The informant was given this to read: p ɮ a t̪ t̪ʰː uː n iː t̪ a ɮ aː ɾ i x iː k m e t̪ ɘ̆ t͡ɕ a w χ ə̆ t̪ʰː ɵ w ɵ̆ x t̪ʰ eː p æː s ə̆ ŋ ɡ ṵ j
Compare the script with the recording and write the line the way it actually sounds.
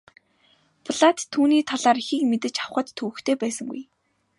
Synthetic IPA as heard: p ɮ a t̪ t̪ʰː uː n iː t̪ʰ a ɮ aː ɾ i x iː k m e t̪ ɘ̆ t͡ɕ a w χ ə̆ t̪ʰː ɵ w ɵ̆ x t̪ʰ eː p æː s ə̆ ŋ ɡ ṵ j